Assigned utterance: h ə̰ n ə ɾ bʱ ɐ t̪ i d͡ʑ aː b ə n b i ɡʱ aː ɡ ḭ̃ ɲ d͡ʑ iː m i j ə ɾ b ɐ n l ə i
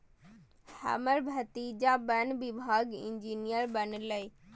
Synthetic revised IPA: h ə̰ m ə ɾ bʱ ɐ t̪ i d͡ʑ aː b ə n b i bʱ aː ɡ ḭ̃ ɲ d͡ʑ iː n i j ə ɾ b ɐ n l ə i